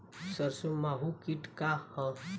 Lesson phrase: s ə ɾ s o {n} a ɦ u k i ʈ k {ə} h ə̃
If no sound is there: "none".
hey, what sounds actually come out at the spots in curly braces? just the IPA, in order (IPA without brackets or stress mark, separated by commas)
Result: m, a